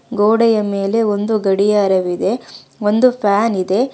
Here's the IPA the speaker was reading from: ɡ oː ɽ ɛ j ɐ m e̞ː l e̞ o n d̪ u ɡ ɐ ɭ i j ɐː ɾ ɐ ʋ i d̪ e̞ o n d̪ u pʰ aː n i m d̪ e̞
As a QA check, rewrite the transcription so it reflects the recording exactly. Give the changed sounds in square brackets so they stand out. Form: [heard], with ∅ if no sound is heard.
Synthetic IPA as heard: ɡ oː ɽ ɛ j ɐ m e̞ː l e̞ o n d̪ u ɡ ɐ [ɽ] i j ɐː ɾ ɐ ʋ i d̪ e̞ o n d̪ u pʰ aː n i [∅] d̪ e̞